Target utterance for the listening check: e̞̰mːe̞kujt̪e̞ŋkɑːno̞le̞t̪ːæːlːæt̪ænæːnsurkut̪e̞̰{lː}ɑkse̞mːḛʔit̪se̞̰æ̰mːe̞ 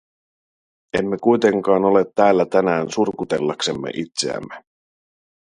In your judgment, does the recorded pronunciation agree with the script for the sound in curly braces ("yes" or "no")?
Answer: yes